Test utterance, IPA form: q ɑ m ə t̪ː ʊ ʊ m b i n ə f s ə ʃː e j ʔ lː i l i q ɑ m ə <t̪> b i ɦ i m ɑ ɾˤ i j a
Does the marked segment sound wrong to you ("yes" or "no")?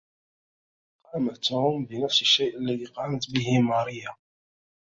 no